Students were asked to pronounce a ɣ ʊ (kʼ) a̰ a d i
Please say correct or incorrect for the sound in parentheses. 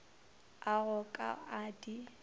correct